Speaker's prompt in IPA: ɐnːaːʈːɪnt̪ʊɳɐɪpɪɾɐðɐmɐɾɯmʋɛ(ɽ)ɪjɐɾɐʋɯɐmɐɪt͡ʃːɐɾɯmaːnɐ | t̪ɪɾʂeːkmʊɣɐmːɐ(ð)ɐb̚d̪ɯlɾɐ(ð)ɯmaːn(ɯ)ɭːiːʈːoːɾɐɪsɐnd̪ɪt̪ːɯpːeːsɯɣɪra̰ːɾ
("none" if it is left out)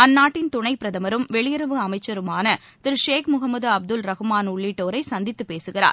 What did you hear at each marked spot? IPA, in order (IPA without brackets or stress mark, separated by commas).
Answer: ɭ, ð, ɣ, ʊ